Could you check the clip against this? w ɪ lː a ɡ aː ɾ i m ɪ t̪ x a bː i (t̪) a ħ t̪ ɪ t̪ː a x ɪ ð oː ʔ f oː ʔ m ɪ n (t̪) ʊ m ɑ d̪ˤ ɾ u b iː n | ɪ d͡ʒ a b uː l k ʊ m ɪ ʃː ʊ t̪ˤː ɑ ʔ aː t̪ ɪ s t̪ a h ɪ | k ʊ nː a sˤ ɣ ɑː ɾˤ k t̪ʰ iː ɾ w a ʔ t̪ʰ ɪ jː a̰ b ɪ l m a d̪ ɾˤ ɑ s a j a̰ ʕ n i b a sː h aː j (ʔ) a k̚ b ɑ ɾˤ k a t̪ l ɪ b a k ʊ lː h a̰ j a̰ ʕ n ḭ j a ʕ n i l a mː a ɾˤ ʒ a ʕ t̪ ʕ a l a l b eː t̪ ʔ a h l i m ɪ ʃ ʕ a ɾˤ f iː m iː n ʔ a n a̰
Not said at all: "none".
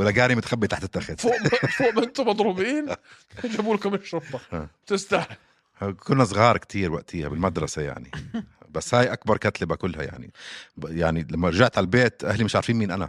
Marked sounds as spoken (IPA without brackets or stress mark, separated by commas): t̪, t̪, ʔ